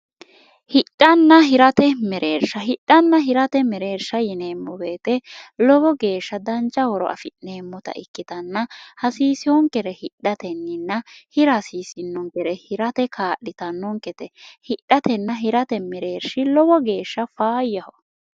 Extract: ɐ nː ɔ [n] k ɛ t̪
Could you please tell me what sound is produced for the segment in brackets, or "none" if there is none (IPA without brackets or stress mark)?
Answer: ŋ